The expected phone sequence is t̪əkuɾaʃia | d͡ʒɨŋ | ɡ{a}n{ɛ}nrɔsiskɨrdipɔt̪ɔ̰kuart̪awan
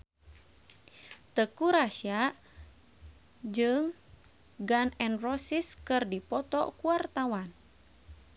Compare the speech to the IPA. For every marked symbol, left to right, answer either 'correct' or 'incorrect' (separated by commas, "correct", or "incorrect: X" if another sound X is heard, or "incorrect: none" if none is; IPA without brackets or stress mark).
correct, correct